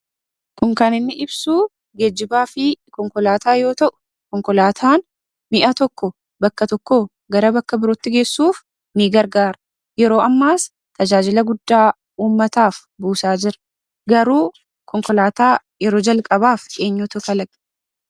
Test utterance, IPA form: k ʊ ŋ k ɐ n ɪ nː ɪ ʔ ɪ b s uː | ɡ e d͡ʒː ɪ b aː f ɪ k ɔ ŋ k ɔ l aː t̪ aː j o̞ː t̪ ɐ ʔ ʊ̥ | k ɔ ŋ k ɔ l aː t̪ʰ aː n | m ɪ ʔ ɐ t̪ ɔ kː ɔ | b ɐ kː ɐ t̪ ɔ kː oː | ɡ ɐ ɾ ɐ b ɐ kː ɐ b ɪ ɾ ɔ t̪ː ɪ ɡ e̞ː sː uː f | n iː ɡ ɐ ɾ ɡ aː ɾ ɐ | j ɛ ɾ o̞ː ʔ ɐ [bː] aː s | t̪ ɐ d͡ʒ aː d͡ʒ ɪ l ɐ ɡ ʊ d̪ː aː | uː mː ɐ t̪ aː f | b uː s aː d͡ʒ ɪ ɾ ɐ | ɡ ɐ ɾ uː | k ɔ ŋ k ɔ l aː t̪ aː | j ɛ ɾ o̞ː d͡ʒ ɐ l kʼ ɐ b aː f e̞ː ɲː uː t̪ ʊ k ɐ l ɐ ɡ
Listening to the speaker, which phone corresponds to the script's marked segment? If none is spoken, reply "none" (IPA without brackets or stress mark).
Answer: mː